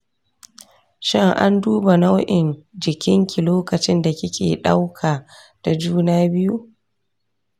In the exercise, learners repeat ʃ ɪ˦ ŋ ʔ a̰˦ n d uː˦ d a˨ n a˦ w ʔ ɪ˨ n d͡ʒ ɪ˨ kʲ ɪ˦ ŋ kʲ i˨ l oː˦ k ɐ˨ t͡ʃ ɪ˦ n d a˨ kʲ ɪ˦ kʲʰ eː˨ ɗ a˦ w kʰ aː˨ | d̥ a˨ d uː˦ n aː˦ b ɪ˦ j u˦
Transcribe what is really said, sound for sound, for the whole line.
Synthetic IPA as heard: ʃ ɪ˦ ŋ ʔ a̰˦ n d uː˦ b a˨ n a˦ w ʔ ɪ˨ n d͡ʒ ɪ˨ kʲ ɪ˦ ŋ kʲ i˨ l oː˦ k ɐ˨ t͡ʃ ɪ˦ n d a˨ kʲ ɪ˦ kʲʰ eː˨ ɗ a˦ w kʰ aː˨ | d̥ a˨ d͡ʒ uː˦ n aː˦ b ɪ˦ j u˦